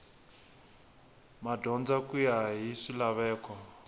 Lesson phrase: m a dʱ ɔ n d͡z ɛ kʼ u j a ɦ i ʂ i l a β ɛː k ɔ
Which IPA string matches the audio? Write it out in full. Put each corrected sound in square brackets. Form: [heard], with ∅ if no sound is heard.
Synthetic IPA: m a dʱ ɔ n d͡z [a] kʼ u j a ɦ i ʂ i l a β ɛː k ɔ

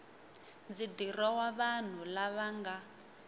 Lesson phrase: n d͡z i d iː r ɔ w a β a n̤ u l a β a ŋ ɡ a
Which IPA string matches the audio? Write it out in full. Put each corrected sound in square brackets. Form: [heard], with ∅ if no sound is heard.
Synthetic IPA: n d͡z i d [i] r ɔ w a β a n̤ u l a β a ŋ ɡ a

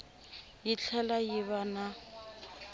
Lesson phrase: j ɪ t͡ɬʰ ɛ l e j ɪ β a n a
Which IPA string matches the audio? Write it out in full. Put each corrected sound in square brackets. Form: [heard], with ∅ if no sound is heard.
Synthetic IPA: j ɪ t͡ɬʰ ɛ l [a] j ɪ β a n a

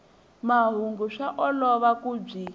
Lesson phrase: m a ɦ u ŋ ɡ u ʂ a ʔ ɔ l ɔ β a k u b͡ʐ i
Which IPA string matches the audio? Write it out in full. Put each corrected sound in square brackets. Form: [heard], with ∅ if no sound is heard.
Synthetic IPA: m a ɦ u ŋ ɡ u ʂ a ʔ ɔ l ɔ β a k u b͡ʐ i

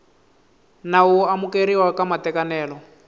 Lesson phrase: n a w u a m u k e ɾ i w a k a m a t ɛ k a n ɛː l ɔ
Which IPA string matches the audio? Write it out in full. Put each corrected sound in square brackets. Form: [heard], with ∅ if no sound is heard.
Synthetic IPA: n a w u a m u k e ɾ i w a k a m a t ɛ k a n ɛː l ɔ

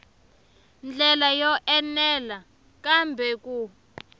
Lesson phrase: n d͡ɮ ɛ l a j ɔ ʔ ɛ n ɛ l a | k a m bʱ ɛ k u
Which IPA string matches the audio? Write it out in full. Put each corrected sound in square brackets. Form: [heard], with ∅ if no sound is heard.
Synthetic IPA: n d͡ɮ ɛ l a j ɔ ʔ ɛ n ɛ l a | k a m bʱ ɛ k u

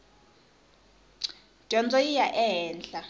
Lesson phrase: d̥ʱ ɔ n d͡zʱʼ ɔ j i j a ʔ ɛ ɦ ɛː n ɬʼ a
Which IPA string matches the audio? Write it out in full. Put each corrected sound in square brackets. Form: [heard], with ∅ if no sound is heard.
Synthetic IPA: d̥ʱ ɔ n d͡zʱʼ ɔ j i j a ʔ ɛ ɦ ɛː n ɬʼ a

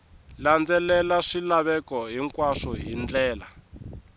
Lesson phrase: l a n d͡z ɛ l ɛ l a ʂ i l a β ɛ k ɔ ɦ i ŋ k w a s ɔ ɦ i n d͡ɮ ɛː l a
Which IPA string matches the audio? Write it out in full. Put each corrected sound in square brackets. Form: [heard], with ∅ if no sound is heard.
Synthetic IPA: l a n d͡z ɛ l ɛ l a ʂ i l a β ɛ k ɔ ɦ i ŋ k w a [ʂ] ɔ ɦ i n d͡ɮ ɛː l a

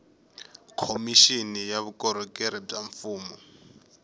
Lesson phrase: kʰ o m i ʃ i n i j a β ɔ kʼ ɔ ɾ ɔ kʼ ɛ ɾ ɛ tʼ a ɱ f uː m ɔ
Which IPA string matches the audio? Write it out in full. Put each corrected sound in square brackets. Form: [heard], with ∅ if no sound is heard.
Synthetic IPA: kʰ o m i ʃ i n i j a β [u] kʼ ɔ ɾ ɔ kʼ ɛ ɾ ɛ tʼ a ɱ f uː m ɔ

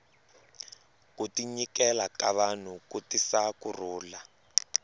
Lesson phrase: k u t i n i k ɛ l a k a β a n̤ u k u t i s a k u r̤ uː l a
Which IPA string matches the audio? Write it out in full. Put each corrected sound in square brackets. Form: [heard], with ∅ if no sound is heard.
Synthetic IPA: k u t i [ɲ] i k ɛ l a k a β a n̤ u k u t i s a k u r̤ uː l a

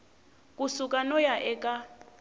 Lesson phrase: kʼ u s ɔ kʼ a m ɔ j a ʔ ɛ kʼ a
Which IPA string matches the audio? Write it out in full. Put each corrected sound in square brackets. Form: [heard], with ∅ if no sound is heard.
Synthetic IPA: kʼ u s [u] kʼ a [n] ɔ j a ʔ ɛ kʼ a

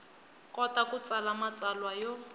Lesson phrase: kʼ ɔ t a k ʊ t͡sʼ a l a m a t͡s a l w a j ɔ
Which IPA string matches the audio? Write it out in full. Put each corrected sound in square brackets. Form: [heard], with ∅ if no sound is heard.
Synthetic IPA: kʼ ɔ t a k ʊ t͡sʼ a l a m a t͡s a l w a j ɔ

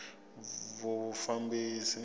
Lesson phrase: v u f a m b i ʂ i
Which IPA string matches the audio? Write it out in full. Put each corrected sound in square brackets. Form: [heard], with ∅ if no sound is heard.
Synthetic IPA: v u f a m b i [s] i

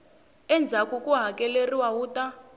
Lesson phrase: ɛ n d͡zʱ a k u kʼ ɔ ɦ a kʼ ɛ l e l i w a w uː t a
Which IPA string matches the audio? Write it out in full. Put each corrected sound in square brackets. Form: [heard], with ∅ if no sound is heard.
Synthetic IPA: ɛ n d͡zʱ a k u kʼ [u] ɦ a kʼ ɛ l e [r] i w a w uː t a

